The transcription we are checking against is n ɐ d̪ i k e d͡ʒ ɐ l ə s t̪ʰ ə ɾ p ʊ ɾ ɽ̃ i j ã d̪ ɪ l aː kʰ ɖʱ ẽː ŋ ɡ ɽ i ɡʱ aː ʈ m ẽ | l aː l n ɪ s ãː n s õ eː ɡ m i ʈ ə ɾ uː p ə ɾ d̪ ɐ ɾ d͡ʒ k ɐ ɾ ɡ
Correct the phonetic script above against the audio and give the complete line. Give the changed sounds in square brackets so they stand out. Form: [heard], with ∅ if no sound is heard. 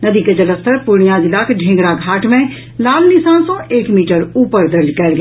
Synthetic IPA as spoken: n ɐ d̪ i k e d͡ʒ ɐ l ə s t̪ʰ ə ɾ p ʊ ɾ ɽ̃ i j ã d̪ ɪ l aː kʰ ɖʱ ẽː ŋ ɡ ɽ [a] ɡʱ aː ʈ m ẽ | l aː l n ɪ s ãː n s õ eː [k] m [iː] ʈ ə ɾ uː p ə ɾ d̪ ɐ ɾ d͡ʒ k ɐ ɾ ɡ